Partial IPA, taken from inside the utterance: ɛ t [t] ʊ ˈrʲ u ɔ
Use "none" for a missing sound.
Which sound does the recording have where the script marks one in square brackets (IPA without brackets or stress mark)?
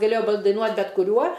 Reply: k